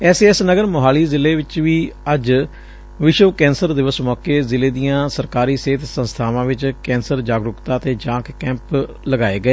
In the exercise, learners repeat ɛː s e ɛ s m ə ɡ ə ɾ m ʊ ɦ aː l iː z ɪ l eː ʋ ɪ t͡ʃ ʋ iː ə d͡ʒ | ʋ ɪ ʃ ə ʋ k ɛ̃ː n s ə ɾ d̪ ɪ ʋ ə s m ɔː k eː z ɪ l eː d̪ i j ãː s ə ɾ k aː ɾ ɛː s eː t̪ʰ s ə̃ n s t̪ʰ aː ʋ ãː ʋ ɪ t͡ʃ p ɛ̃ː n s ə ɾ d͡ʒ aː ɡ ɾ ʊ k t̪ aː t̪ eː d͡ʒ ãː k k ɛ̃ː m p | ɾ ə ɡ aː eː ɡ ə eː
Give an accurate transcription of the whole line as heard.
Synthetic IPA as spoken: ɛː s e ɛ s n ə ɡ ə ɾ m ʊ ɦ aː l iː z ɪ l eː ʋ ɪ t͡ʃ ʋ iː ə d͡ʒ | ʋ ɪ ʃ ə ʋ k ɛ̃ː n s ə ɾ d̪ ɪ ʋ ə s m ɔː k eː z ɪ l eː d̪ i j ãː s ə ɾ k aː ɾ iː s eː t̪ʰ s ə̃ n s t̪ʰ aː ʋ ãː ʋ ɪ t͡ʃ k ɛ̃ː n s ə ɾ d͡ʒ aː ɡ ɾ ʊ k t̪ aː t̪ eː d͡ʒ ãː k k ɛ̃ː m p | l ə ɡ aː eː ɡ ə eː